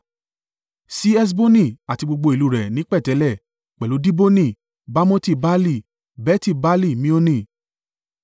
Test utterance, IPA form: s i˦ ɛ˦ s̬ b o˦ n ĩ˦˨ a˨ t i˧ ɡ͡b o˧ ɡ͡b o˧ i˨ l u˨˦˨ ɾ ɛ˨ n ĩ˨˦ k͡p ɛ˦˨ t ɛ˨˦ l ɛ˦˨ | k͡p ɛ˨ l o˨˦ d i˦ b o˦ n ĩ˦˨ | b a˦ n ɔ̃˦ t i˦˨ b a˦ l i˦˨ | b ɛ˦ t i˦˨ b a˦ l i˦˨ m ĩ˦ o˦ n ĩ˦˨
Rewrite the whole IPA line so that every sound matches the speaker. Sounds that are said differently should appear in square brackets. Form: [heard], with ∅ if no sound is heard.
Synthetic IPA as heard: s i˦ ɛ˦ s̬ b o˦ n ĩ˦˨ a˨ t i˧ ɡ͡b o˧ ɡ͡b o˧ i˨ l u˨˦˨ ɾ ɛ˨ n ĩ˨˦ k͡p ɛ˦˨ t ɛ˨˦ l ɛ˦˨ | k͡p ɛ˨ l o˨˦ d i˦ b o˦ n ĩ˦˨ | b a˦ [m] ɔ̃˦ t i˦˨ b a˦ l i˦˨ | b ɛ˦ t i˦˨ b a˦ l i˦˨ m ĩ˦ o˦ n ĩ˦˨